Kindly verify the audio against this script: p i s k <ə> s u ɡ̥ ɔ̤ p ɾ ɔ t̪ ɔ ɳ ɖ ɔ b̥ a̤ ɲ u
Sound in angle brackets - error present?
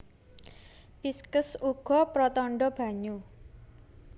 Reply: no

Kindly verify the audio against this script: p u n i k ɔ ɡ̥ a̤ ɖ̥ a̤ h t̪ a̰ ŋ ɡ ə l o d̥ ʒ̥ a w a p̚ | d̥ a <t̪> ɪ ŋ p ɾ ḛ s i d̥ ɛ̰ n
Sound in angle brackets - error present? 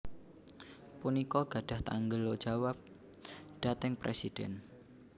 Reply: no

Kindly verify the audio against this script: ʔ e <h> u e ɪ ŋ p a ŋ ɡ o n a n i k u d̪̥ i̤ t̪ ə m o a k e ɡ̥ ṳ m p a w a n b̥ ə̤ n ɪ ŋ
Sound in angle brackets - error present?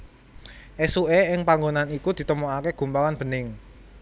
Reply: yes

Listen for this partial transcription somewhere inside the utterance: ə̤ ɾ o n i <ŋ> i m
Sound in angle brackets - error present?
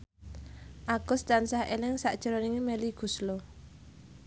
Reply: no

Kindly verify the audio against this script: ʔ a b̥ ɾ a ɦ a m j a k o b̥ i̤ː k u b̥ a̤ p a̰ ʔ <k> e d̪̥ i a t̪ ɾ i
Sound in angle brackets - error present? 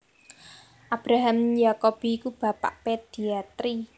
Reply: yes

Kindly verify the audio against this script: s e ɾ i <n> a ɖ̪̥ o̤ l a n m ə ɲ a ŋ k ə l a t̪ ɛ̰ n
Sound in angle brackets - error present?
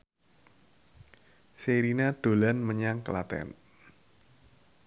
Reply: no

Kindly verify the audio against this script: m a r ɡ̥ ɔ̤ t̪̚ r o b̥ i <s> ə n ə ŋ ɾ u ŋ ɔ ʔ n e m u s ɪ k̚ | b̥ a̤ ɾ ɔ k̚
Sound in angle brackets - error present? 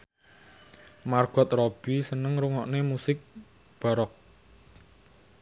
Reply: no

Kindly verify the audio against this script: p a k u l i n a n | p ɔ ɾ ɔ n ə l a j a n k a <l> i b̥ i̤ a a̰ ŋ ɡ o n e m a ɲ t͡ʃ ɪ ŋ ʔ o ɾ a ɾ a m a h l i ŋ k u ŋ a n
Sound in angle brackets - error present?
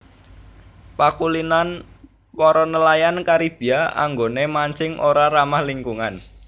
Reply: yes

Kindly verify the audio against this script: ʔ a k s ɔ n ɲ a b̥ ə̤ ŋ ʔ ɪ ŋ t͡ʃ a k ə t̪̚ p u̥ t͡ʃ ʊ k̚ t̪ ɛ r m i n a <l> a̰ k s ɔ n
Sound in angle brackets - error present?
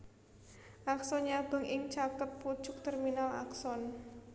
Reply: no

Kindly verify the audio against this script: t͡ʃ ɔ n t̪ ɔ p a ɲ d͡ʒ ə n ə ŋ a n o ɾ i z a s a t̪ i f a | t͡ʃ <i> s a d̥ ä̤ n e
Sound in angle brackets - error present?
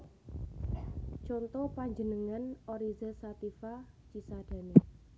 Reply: no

